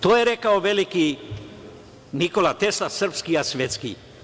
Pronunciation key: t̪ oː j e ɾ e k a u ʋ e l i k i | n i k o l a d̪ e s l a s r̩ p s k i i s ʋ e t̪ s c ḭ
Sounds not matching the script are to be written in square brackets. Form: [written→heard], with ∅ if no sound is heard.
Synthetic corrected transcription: t̪ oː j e ɾ e k a [u→o] ʋ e l i k i | n i k o l a [d̪→t̪] e s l a s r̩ p s k i [i→a] s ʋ e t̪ s [c→k] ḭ